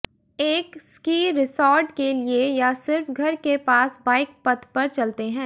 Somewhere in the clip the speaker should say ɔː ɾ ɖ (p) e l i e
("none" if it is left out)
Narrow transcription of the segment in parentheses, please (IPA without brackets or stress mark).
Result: k